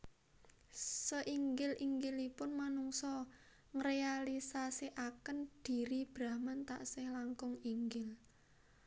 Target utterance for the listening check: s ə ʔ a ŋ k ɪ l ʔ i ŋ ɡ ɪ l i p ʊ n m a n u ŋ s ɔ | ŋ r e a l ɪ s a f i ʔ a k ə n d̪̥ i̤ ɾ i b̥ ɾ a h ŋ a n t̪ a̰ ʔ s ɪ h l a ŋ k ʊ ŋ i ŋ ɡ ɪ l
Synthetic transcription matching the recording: s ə ʔ i ŋ ɡ ɪ l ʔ i ŋ ɡ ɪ l i p ʊ n m a n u ŋ s ɔ | ŋ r e a l i s a s i ʔ a k ə n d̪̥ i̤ ɾ i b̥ ɾ a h m a n t̪ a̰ ʔ s ɪ h l a ŋ k ʊ ŋ i ŋ ɡ ɪ l